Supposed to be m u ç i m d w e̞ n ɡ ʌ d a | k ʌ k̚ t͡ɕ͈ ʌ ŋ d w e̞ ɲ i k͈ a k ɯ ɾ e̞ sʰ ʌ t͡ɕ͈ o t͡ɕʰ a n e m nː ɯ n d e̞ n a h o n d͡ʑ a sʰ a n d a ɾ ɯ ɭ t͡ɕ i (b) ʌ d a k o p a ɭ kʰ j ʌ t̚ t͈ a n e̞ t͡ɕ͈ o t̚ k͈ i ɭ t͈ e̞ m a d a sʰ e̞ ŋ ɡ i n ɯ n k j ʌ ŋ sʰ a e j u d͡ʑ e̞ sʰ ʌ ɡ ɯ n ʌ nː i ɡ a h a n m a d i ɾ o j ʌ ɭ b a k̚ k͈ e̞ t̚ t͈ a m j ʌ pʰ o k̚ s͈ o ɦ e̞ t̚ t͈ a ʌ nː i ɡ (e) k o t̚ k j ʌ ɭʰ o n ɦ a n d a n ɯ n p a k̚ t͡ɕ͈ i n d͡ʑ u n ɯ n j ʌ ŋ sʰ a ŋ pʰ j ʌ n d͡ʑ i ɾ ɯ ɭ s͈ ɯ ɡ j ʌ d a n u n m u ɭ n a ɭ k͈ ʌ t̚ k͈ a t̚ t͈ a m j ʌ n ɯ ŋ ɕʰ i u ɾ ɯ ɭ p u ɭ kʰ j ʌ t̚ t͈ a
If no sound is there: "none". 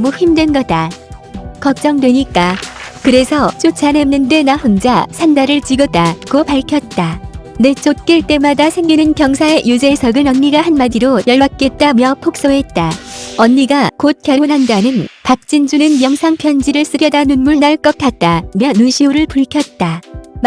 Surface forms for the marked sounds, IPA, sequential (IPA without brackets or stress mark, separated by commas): ɡ, a